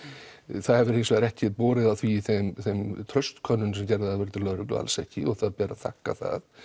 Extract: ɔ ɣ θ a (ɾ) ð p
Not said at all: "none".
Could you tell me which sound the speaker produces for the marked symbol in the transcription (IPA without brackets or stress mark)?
none